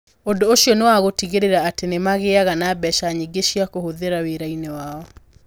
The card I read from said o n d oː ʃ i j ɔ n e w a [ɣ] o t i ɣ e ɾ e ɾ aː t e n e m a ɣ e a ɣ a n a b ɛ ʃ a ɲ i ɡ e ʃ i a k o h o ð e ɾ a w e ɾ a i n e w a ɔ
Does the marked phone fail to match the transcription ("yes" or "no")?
no